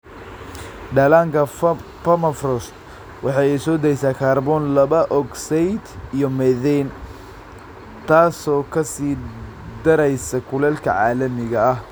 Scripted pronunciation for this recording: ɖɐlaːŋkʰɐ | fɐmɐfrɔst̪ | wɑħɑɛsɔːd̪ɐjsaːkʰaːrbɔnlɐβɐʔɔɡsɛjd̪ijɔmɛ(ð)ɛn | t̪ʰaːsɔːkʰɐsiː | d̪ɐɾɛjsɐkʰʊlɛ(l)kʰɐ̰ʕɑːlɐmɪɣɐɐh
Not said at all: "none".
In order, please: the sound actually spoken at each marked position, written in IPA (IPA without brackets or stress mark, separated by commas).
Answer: ð, l